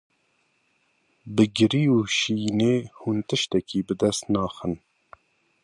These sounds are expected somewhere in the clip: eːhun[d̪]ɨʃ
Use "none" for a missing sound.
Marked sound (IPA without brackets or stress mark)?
t̪